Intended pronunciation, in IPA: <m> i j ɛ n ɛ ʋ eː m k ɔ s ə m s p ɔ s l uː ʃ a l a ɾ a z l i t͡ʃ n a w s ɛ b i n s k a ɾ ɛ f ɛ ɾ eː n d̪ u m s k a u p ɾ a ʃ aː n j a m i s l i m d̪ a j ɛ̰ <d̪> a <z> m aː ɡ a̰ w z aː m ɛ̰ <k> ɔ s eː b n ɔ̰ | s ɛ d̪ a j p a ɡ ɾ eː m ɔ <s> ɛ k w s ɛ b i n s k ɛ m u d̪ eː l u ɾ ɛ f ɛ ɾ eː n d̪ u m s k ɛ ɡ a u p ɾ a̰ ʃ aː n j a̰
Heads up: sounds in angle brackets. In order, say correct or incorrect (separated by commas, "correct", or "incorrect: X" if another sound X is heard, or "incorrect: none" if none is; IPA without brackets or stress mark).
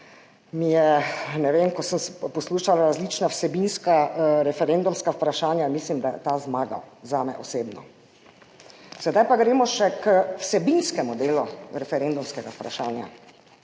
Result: correct, incorrect: t̪, correct, incorrect: ʔ, incorrect: ʃ